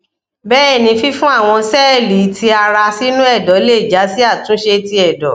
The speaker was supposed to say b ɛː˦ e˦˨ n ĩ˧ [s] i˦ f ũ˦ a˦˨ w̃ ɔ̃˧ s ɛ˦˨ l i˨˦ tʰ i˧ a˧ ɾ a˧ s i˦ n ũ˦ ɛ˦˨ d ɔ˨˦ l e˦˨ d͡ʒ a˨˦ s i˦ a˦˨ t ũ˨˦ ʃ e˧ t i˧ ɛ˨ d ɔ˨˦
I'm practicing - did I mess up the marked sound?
yes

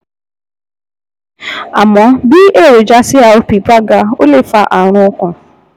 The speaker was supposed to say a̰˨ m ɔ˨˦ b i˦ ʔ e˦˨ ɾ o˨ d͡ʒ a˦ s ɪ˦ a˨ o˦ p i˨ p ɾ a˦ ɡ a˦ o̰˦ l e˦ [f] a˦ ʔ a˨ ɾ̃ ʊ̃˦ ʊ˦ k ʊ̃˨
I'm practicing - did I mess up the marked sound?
no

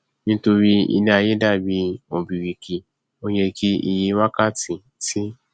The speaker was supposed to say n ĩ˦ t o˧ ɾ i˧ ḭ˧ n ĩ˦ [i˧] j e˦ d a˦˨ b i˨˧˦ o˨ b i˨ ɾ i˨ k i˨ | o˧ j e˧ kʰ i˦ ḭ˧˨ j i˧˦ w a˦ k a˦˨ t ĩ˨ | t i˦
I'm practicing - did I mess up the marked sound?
yes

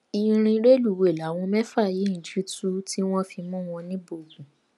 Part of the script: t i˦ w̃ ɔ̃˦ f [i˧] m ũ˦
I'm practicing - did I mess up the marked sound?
no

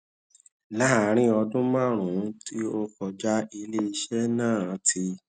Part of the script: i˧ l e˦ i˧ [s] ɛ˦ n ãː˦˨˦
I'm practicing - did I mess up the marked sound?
yes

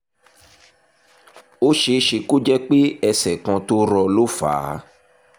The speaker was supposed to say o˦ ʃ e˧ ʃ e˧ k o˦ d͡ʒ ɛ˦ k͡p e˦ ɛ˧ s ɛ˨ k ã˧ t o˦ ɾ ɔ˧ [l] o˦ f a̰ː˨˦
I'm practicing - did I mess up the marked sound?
no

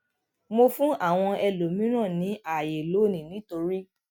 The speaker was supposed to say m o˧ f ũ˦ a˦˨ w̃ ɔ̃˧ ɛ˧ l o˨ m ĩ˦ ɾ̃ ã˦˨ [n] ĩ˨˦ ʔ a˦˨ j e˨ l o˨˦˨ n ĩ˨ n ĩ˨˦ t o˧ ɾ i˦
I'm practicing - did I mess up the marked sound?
no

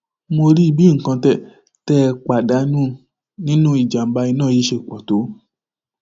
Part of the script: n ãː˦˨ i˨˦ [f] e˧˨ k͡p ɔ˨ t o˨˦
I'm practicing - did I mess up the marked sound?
yes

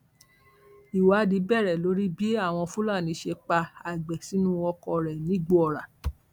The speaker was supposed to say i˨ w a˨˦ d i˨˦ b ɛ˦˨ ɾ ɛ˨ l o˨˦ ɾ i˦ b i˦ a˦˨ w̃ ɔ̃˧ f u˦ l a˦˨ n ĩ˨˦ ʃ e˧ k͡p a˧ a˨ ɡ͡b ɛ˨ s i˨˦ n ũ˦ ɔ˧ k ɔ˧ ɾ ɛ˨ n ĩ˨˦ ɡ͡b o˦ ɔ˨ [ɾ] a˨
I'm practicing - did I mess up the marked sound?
no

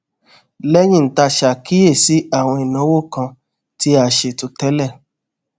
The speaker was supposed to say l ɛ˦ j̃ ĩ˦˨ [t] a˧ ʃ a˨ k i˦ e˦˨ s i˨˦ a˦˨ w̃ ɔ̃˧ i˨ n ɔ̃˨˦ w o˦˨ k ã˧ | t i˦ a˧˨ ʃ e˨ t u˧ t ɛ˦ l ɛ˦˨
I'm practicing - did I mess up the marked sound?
no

